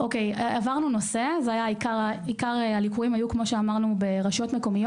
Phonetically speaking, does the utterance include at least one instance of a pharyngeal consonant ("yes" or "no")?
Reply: no